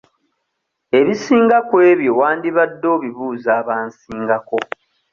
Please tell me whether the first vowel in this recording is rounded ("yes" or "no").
no